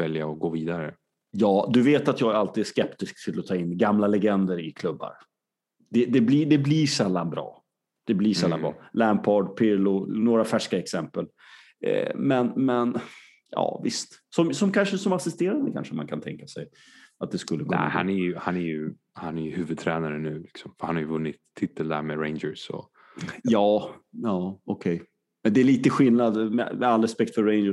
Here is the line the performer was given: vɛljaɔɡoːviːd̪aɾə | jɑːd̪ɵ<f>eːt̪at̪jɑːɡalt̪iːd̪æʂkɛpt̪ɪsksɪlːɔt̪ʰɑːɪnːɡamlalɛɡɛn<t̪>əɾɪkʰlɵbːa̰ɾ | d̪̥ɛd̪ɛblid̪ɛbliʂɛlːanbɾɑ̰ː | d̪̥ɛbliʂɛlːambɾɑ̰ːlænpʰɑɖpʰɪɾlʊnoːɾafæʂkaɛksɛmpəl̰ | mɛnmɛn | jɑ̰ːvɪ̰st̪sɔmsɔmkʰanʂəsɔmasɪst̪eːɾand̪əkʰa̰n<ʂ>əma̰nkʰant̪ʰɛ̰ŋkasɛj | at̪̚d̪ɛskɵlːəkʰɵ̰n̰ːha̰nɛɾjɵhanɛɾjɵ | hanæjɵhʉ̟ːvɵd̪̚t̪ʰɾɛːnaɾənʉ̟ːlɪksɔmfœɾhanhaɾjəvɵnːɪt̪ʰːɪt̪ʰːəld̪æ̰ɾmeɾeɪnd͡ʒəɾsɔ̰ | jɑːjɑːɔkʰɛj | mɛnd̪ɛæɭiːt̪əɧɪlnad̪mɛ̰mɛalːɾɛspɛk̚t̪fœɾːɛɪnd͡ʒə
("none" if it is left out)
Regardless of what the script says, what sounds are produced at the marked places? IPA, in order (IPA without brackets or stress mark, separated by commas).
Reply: v, d̪, ʂ